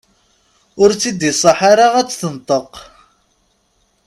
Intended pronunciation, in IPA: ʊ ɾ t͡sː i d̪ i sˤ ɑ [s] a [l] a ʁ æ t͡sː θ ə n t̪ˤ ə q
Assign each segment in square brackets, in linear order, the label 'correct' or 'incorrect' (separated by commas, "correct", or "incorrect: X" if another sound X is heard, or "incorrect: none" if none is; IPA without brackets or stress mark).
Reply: incorrect: ħ, incorrect: ɾ